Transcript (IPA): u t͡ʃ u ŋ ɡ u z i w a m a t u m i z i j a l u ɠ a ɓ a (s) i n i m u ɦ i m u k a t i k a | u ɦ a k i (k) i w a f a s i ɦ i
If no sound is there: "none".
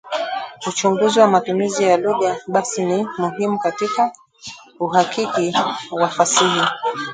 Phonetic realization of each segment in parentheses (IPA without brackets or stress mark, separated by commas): s, k